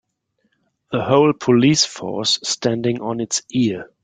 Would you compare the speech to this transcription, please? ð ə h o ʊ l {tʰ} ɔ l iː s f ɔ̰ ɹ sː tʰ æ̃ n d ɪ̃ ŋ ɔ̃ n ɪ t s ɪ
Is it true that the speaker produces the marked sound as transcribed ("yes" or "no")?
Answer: no